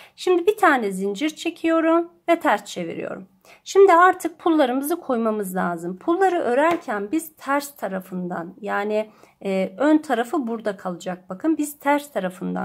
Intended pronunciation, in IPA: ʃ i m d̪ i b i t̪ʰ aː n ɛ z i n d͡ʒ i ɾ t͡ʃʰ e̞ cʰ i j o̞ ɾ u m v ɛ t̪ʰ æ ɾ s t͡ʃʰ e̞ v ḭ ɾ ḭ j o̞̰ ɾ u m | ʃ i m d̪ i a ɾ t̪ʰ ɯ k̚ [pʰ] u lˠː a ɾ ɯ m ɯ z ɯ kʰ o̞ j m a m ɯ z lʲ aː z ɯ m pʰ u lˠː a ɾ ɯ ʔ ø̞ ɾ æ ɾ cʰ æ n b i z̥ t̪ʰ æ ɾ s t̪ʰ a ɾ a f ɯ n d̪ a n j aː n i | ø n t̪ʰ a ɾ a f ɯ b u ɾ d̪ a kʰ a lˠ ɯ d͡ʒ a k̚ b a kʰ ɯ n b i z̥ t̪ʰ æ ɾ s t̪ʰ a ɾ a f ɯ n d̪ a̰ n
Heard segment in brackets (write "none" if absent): pʰ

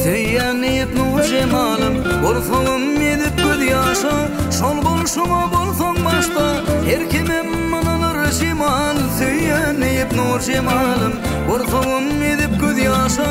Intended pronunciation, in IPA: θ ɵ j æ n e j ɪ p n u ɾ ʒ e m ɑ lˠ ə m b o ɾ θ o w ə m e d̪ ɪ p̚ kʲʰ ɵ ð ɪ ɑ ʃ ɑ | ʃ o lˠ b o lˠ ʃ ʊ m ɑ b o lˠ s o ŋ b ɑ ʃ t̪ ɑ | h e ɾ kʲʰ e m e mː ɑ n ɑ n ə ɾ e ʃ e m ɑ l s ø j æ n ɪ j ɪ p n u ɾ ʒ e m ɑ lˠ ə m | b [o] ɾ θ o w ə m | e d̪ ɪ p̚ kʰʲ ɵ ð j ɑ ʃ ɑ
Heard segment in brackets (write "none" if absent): o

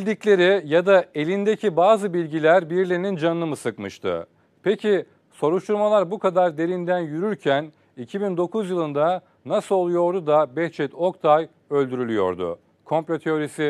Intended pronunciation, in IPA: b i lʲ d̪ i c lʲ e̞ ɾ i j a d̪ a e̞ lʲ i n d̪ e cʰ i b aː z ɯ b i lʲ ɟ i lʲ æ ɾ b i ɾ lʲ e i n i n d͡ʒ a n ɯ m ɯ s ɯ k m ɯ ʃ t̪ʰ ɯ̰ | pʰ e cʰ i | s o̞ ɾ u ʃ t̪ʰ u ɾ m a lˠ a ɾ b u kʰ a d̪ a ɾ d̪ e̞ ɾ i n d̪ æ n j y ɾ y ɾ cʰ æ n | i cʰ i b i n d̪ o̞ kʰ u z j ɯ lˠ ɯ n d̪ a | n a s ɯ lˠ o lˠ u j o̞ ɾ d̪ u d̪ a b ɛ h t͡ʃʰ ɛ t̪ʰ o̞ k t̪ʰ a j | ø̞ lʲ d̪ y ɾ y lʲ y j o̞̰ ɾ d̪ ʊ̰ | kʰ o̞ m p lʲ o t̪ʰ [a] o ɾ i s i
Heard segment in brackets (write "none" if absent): e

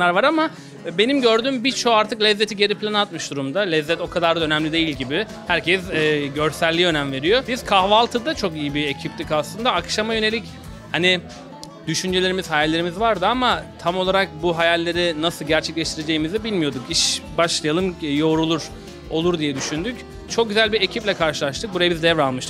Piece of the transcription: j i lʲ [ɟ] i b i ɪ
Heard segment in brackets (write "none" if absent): ɟ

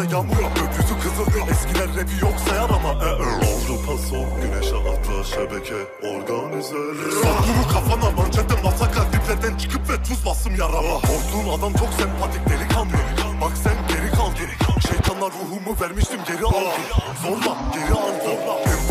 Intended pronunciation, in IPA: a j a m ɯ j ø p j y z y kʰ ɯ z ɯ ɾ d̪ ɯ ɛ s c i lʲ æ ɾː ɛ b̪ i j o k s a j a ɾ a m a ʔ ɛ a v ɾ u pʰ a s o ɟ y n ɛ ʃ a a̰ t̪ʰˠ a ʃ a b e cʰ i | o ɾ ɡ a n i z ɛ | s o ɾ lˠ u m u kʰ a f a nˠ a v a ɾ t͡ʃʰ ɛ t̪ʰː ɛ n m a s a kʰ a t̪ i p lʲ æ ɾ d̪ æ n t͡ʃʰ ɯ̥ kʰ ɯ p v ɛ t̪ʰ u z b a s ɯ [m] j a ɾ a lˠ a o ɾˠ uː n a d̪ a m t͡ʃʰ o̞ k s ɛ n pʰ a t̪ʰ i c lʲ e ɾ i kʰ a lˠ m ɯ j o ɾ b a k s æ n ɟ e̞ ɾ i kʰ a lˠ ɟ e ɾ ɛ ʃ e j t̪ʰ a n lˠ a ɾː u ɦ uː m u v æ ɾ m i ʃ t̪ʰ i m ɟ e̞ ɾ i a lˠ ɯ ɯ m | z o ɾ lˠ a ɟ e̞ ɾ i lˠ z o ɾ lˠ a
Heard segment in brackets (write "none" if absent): m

